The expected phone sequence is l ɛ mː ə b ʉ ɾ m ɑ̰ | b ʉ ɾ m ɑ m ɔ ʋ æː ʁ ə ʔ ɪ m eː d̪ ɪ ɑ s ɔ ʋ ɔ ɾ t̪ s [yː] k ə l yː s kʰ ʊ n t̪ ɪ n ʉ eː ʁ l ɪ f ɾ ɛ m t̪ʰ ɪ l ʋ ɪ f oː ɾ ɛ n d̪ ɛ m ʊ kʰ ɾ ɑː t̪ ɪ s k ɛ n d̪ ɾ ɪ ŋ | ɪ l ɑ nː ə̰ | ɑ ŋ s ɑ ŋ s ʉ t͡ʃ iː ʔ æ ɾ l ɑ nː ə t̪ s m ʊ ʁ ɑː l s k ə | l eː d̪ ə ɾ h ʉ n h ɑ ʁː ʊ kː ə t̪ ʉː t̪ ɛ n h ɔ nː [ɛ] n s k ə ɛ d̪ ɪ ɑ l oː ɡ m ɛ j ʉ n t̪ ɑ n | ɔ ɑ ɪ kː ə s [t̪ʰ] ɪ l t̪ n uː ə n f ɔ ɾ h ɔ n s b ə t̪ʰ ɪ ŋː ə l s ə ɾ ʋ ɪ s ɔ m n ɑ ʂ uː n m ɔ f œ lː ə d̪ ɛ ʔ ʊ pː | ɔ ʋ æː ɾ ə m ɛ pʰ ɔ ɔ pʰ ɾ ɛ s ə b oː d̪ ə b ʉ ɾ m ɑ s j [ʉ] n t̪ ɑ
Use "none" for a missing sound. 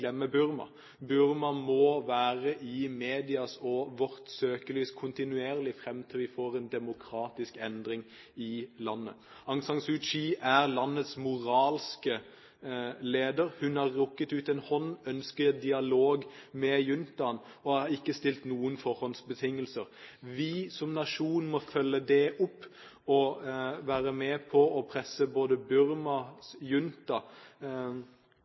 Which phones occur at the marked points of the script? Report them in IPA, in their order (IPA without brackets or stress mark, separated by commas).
øː, œ, t̪, ʉ